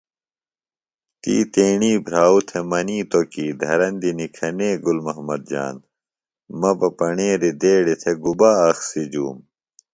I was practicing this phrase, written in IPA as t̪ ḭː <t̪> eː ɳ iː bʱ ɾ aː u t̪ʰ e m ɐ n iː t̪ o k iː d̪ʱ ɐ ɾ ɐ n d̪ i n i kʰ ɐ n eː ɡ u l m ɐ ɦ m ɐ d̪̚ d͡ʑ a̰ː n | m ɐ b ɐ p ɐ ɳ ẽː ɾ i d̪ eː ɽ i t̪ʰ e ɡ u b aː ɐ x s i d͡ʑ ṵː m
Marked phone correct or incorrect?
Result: correct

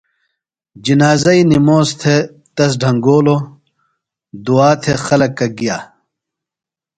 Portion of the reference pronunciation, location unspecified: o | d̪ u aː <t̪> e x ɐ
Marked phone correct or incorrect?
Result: incorrect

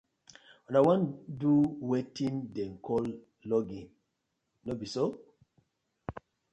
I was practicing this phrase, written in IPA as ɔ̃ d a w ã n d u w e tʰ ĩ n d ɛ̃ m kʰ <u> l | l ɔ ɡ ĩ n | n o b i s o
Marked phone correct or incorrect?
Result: incorrect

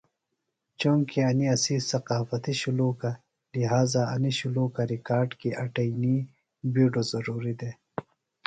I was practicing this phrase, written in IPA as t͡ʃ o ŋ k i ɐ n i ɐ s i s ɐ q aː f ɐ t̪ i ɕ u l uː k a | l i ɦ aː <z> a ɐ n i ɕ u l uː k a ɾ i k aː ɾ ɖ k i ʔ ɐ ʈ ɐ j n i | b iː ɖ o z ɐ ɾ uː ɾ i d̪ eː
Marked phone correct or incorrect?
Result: correct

